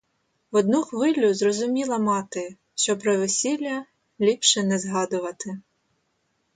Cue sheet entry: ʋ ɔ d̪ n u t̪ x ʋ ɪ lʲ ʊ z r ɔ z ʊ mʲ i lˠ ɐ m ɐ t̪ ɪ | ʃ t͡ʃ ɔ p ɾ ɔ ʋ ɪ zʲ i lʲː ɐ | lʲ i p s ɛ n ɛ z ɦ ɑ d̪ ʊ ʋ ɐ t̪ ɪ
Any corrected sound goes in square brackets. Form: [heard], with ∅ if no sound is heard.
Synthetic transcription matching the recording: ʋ ɔ d̪ n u [∅] x ʋ ɪ lʲ ʊ z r ɔ z ʊ mʲ i lˠ ɐ m [ɑ] t̪ ɪ | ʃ t͡ʃ ɔ p ɾ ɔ ʋ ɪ [sʲ] i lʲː ɐ | lʲ i p [ʃ] ɛ n ɛ z ɦ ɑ d̪ ʊ ʋ ɐ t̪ ɪ